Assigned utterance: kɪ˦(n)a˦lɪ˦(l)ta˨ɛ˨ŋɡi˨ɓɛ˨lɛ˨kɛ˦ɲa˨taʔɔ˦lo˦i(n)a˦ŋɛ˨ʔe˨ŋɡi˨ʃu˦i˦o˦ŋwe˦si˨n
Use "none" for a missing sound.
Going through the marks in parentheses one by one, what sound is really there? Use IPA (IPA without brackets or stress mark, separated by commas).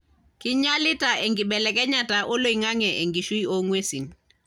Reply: ɲ, none, ŋ